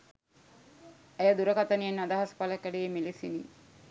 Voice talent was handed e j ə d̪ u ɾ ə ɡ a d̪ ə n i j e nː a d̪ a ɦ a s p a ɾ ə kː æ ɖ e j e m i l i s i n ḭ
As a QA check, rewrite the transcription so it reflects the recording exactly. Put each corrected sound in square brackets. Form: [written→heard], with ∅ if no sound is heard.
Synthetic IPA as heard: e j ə d̪ u ɾ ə [ɡ→k] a [d̪→t̪] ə n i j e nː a d̪ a ɦ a s p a [ɾ→l] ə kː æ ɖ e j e m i l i s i n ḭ